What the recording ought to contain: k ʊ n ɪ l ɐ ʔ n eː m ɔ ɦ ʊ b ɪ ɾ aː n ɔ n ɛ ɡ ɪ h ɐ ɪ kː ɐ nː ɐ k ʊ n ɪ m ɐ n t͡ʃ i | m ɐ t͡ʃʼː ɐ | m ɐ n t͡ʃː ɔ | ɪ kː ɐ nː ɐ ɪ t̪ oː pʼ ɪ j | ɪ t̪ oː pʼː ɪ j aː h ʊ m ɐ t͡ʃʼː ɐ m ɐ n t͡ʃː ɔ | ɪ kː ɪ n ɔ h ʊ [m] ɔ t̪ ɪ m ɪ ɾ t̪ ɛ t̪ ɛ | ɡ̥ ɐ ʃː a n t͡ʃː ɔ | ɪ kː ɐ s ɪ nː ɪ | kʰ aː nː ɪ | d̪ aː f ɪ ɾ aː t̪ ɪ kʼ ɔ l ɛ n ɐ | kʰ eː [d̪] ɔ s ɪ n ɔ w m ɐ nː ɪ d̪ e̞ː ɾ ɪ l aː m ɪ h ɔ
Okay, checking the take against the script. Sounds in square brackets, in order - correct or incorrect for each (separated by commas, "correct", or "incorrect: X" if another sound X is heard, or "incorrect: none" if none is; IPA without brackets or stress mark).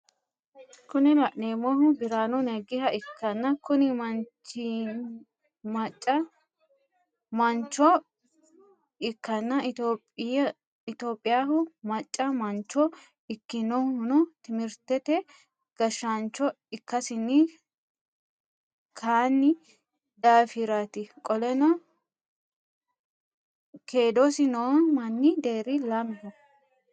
incorrect: n, correct